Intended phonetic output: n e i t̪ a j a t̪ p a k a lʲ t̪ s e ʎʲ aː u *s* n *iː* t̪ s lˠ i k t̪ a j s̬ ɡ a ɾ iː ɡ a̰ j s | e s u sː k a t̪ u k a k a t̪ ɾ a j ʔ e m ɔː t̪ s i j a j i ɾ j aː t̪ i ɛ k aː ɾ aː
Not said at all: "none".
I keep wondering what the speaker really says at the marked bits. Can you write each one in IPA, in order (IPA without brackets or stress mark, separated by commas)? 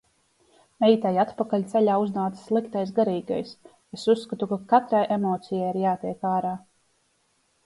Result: z, aː